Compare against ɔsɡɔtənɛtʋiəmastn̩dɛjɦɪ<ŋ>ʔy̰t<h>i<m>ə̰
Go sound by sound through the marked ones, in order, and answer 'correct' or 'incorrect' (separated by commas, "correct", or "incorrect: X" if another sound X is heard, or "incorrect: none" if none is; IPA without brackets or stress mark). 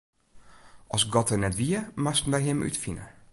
incorrect: m, incorrect: f, incorrect: n